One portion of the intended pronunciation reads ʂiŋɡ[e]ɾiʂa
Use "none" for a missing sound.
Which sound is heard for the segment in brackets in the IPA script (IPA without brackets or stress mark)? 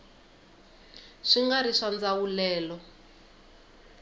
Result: a